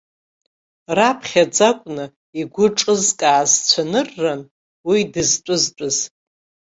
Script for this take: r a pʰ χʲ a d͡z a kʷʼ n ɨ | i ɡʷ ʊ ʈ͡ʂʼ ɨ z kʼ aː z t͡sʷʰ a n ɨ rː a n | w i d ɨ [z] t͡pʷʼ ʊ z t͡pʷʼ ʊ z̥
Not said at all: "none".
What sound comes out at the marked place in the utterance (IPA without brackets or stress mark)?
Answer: z